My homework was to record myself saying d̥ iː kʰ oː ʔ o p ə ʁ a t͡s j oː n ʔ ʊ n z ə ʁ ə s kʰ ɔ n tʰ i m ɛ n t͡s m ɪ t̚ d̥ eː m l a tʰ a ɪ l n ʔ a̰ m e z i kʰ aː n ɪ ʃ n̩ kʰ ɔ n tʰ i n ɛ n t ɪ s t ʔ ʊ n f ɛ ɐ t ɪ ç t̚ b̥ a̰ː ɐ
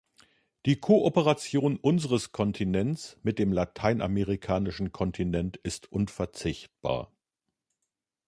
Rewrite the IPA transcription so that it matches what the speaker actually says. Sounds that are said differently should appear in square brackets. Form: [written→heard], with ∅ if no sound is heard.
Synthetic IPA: d̥ iː kʰ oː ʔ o p ə ʁ a t͡s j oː n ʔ ʊ n z ə ʁ ə s kʰ ɔ n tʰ i [m→n] ɛ n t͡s m ɪ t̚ d̥ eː m l a tʰ a ɪ [l→∅] n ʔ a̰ m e [z→ʁ] i kʰ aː n ɪ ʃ n̩ kʰ ɔ n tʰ i n ɛ n t ɪ s t ʔ ʊ n f ɛ ɐ [t→t͡s] ɪ ç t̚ b̥ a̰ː ɐ

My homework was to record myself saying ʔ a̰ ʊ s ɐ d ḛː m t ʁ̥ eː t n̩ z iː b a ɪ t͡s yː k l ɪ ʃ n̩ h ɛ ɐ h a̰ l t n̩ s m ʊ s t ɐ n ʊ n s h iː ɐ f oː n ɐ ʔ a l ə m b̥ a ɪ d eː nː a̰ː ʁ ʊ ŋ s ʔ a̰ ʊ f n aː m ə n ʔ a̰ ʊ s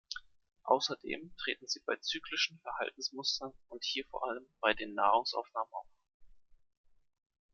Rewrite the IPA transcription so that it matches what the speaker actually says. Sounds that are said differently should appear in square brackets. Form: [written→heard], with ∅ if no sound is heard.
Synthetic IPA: ʔ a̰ ʊ s ɐ d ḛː m t ʁ̥ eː t n̩ z iː b a ɪ t͡s yː k l ɪ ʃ n̩ [h→f] ɛ ɐ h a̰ l t n̩ s m ʊ s t ɐ n ʊ n [s→t] h iː ɐ f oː [n→∅] ɐ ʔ a l ə m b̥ a ɪ d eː nː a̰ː ʁ ʊ ŋ s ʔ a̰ ʊ f n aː m ə n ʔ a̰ ʊ [s→f]

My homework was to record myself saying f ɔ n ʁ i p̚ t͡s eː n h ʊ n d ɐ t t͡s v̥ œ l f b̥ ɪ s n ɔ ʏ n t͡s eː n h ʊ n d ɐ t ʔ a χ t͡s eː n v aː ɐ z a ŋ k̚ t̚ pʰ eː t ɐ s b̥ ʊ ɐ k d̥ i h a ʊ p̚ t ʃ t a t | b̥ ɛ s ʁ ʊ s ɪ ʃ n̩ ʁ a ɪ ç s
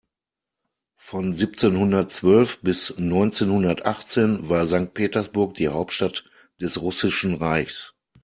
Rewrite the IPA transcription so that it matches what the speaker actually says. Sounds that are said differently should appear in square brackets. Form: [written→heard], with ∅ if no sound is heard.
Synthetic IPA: f ɔ n [ʁ→z] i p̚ t͡s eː n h ʊ n d ɐ t t͡s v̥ œ l f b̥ ɪ s n ɔ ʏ n t͡s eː n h ʊ n d ɐ t ʔ a χ t͡s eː n v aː ɐ z a ŋ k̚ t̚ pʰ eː t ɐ s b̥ ʊ ɐ k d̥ [i→iː] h a ʊ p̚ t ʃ t a t | [b̥→d̥] ɛ s ʁ ʊ s ɪ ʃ n̩ ʁ a ɪ ç s

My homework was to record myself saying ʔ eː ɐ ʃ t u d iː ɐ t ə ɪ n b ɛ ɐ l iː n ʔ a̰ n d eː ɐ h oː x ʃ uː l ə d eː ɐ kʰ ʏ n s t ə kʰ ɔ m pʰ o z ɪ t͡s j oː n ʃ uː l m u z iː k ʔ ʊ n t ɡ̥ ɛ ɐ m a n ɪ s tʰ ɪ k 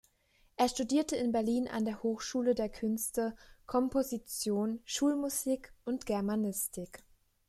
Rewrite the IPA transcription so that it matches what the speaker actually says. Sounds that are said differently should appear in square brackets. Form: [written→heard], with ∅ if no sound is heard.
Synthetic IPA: ʔ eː ɐ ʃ t u d iː ɐ t ə ɪ n b ɛ ɐ l iː n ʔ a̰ n d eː ɐ h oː x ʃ uː l ə d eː ɐ kʰ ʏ n s t ə kʰ ɔ m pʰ o z [ɪ→i] t͡s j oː n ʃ uː l m u z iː k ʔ ʊ n t ɡ̥ ɛ ɐ m a n ɪ s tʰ ɪ k

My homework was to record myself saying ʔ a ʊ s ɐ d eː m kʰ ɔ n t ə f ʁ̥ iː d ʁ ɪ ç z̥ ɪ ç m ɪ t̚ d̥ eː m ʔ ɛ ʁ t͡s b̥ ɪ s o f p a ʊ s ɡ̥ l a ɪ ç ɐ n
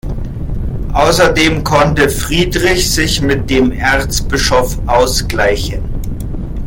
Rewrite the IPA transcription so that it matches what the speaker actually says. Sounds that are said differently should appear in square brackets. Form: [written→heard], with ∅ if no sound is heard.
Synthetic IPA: ʔ a ʊ s ɐ d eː m kʰ ɔ n t ə f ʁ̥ iː d ʁ ɪ ç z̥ ɪ ç m ɪ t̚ d̥ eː m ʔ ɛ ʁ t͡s b̥ ɪ [s→ʃ] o f [p→ʔ] a ʊ s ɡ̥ l a ɪ ç [ɐ→ə] n

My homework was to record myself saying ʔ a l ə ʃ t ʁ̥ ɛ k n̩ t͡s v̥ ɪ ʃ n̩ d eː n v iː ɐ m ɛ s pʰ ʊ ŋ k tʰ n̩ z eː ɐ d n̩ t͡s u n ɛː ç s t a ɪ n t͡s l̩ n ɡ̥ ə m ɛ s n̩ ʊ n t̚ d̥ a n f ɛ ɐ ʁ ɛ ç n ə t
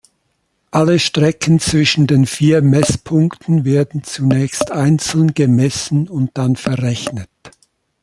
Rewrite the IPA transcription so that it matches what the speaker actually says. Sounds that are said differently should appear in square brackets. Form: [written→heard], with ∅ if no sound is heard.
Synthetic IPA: ʔ a l ə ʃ t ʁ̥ ɛ k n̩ t͡s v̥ ɪ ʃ n̩ d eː n [v→f] iː ɐ m ɛ s pʰ ʊ ŋ k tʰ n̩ [z→v] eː ɐ d n̩ t͡s u n ɛː ç s t a ɪ n t͡s l̩ n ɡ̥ ə m ɛ s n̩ ʊ n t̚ d̥ a n f ɛ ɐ ʁ ɛ ç n ə t

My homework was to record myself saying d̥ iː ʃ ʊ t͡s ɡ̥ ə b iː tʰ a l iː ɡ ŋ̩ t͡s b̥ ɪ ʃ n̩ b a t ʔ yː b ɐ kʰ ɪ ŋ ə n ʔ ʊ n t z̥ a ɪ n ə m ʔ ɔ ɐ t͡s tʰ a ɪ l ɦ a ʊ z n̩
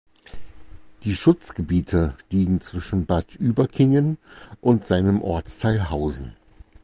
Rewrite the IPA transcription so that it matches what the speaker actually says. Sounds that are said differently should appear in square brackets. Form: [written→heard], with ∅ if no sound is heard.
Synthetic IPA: d̥ iː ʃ ʊ t͡s ɡ̥ ə b iː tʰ [a→ə] l iː ɡ ŋ̩ t͡s [b̥→v̥] ɪ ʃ n̩ b a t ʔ yː b ɐ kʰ ɪ ŋ ə n ʔ ʊ n t z̥ a ɪ n ə m ʔ ɔ ɐ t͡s tʰ a ɪ l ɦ a ʊ z n̩

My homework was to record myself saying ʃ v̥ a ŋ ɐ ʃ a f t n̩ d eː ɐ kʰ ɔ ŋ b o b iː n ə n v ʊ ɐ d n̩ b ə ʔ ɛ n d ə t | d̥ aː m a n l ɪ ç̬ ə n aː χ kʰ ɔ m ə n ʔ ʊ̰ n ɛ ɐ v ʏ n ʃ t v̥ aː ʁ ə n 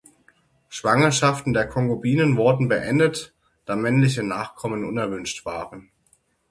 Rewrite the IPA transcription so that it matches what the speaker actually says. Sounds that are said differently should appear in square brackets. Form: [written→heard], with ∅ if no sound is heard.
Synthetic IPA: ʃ v̥ a ŋ ɐ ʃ a f t n̩ d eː ɐ kʰ ɔ ŋ [b→ɡ] o b iː n ə n v ʊ ɐ d n̩ b ə ʔ ɛ n d ə t | d̥ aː m [a→ɛ] n l ɪ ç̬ ə n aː χ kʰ ɔ m ə n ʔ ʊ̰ n ɛ ɐ v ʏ n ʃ t v̥ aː ʁ ə n

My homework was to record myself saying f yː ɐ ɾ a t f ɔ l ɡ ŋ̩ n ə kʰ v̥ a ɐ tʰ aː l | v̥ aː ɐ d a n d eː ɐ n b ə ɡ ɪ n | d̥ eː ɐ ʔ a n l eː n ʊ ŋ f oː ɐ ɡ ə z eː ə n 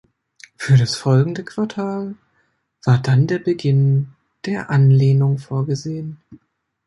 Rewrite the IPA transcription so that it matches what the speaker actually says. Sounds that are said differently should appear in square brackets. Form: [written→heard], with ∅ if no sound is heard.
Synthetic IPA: f yː ɐ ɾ a [t→s] f ɔ l ɡ ŋ̩ [n→d] ə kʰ v̥ a ɐ tʰ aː l | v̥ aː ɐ d a n d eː ɐ [n→∅] b ə ɡ ɪ n | d̥ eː ɐ ʔ a n l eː n ʊ ŋ f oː ɐ ɡ ə z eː ə n

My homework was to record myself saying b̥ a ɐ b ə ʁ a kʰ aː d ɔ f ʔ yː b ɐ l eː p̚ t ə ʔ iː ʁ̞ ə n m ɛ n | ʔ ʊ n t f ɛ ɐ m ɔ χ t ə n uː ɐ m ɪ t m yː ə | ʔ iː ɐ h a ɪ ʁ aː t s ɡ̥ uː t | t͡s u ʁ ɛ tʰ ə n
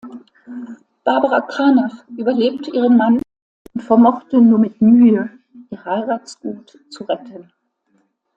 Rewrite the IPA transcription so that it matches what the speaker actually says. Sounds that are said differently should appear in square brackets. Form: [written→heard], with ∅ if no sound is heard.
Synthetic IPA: b̥ a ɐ b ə ʁ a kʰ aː [d→n] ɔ f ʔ yː b ɐ l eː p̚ t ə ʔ iː ʁ̞ ə n m [ɛ→a] n | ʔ ʊ n t f ɛ ɐ m ɔ χ t ə n uː ɐ m ɪ t m yː ə | ʔ iː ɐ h a ɪ ʁ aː t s ɡ̥ uː t | t͡s u ʁ ɛ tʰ ə n

